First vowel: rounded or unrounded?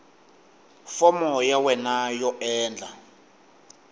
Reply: rounded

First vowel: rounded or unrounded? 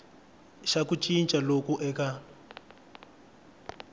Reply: unrounded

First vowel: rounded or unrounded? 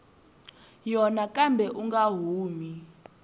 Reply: rounded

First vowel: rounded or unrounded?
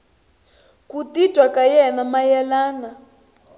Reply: rounded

